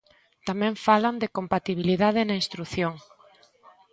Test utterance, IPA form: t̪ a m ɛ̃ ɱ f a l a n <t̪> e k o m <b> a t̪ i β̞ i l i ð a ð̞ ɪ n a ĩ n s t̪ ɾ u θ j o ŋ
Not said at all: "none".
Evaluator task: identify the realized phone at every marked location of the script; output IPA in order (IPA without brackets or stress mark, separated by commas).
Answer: d̪, p